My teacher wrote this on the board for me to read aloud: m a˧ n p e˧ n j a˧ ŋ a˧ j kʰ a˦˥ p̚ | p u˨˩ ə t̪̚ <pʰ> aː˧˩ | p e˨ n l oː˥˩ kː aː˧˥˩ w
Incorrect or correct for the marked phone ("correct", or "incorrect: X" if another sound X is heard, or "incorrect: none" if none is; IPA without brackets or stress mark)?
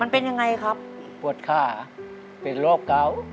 incorrect: kʰ